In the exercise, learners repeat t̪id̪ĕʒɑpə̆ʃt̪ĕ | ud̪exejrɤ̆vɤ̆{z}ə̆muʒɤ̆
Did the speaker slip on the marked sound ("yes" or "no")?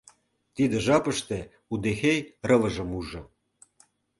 yes